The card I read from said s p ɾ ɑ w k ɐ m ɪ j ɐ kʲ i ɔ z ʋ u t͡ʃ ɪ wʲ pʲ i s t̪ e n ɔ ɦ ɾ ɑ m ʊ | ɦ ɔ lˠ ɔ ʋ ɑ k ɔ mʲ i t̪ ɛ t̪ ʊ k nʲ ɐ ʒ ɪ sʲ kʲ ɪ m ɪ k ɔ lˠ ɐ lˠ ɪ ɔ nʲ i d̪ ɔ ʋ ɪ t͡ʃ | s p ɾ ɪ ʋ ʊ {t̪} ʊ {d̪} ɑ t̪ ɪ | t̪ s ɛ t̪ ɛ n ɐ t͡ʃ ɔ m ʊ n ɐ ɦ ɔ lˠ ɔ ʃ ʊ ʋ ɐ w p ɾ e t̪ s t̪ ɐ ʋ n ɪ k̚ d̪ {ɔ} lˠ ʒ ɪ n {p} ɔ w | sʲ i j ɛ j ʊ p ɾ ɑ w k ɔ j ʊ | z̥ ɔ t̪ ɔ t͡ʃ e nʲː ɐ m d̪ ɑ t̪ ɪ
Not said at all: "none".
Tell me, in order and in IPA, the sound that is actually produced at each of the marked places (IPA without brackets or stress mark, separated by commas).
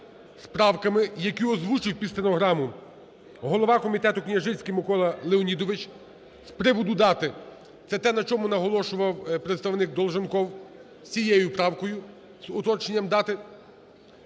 d̪, d̪, ɔ, k